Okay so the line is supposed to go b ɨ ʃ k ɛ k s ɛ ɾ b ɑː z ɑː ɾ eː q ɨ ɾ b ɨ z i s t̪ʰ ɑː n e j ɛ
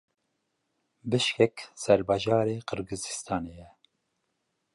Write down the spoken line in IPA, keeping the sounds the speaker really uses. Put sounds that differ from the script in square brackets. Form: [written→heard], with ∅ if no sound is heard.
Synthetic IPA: b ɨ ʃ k ɛ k s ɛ ɾ b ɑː [z→ʒ] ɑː ɾ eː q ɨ ɾ [b→ɡ] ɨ z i s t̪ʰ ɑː n e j ɛ